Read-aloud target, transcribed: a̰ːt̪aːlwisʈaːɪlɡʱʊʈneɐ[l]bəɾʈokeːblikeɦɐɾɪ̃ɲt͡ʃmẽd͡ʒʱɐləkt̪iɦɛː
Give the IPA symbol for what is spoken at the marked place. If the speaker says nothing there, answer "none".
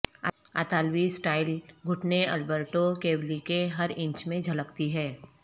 l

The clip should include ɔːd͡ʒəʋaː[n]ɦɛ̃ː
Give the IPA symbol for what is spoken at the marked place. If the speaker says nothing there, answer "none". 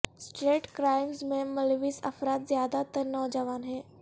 n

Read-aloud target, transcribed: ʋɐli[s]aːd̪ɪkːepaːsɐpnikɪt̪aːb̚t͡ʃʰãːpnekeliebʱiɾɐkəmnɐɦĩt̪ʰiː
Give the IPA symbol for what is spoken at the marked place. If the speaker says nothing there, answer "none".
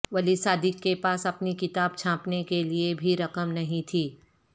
s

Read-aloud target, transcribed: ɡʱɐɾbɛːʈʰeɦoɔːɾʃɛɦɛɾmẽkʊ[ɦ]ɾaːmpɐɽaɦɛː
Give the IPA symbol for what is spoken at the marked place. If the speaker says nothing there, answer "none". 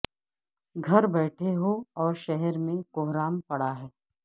ɦ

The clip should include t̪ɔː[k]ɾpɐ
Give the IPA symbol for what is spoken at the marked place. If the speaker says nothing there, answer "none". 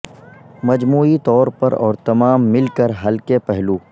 none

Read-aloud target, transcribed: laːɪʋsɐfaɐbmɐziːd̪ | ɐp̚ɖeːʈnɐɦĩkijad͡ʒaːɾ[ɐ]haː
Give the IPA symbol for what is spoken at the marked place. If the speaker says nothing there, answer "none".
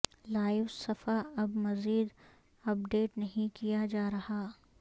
ɐ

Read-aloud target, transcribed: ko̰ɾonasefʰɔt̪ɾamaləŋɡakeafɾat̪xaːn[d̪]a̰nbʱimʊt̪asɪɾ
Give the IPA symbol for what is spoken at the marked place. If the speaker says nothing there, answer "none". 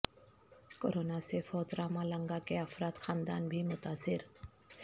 d̪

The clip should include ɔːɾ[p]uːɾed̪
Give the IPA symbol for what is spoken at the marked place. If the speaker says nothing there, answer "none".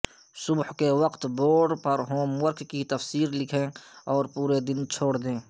p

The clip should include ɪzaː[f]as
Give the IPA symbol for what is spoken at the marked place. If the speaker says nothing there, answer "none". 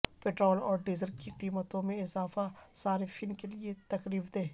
f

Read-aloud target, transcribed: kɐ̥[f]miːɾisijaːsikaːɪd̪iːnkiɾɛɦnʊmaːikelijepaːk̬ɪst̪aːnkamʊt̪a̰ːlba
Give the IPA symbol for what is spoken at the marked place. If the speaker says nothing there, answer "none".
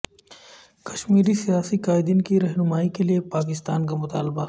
ʃ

